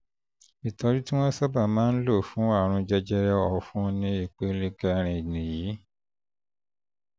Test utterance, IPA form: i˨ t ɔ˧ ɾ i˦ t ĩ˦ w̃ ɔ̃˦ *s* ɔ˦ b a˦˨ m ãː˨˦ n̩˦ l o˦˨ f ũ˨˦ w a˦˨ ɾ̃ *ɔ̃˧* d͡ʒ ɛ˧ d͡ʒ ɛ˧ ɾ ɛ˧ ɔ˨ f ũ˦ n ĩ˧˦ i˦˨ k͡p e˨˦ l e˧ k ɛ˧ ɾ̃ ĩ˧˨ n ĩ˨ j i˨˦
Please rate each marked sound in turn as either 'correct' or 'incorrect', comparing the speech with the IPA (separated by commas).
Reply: correct, incorrect